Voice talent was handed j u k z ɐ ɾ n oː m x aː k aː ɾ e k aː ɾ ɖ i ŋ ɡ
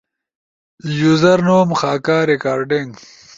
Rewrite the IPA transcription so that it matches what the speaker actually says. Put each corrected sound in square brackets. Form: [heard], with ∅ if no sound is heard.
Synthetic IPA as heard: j u [∅] z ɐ ɾ n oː m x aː k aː ɾ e k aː ɾ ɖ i ŋ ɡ